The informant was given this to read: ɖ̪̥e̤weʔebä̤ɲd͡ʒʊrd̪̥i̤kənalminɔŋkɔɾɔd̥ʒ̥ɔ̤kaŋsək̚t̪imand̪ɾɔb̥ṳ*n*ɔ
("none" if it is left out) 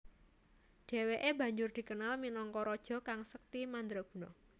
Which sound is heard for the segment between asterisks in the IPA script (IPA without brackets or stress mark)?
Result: n